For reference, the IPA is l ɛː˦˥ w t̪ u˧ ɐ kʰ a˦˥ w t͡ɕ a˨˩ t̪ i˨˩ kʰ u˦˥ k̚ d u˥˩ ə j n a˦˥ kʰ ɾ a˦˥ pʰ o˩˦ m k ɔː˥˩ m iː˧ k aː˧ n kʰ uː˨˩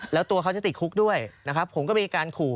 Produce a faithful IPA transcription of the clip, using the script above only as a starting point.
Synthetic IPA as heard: l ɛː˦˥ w t̪ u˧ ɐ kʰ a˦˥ w t͡ɕ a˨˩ t̪ i˨˩ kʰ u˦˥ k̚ d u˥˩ ə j n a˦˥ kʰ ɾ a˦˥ pʰ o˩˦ m k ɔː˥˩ m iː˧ k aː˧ n kʰ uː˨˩